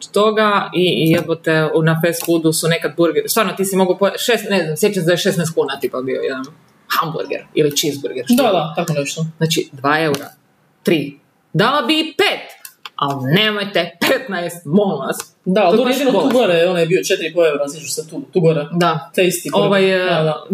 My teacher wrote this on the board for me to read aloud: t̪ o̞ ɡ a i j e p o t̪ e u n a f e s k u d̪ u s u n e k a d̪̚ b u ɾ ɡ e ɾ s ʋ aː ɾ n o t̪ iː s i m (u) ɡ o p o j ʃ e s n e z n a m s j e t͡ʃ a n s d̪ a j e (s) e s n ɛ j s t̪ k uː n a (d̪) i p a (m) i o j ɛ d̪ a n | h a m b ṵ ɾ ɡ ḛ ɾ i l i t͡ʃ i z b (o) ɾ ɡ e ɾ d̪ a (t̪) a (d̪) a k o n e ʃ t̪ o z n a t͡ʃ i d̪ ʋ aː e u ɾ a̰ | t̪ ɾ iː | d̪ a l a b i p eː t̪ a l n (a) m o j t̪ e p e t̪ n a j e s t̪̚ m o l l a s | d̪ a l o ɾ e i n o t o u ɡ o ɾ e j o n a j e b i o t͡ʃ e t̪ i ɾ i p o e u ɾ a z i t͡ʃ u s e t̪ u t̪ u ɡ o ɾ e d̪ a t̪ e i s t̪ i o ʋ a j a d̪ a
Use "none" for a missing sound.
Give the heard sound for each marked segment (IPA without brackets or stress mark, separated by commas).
o, ʃ, t̪, b, u, d̪, t̪, e